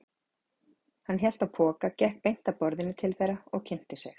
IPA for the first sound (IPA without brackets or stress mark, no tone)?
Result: h